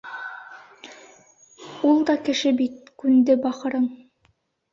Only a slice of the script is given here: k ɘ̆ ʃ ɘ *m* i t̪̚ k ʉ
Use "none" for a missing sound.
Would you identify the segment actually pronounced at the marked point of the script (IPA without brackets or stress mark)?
b